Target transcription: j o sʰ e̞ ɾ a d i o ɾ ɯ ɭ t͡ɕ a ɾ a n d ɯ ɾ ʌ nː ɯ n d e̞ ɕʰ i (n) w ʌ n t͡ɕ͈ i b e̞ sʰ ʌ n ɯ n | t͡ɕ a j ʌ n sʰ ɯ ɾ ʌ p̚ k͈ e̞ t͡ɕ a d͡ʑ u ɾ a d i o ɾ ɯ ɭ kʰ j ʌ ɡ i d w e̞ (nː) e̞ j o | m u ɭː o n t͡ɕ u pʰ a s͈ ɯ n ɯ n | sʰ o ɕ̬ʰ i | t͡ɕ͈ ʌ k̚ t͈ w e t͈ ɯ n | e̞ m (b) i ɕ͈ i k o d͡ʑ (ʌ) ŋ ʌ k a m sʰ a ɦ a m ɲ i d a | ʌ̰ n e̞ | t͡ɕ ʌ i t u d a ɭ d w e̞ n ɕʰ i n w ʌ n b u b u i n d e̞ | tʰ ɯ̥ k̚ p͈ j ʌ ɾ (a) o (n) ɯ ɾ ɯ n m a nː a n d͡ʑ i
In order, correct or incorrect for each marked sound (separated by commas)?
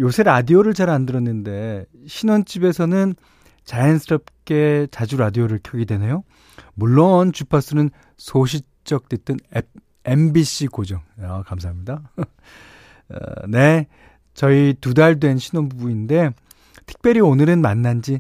correct, incorrect, correct, correct, incorrect, correct